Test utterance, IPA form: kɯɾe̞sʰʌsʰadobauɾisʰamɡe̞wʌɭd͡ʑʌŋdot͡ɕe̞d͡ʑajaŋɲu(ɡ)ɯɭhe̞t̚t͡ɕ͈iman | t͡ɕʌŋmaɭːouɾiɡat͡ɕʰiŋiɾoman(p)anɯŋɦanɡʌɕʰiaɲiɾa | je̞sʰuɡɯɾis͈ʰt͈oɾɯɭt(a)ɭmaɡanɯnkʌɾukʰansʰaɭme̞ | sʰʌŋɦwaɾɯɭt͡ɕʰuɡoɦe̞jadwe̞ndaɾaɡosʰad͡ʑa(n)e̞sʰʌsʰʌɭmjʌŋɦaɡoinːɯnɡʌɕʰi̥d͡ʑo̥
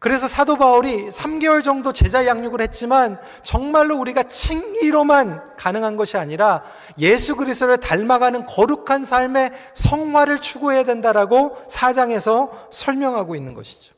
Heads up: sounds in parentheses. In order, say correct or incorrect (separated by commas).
correct, incorrect, correct, incorrect